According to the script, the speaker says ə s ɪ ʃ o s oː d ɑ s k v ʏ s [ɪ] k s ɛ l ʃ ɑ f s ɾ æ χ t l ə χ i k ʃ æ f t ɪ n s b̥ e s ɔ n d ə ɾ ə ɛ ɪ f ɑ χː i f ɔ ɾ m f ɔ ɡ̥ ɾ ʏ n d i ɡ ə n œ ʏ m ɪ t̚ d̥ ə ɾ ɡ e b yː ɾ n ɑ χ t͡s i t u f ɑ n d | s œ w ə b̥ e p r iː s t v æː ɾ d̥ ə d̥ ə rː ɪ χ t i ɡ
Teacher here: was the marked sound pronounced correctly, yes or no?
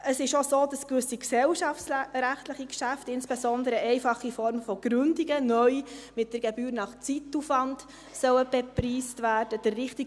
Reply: no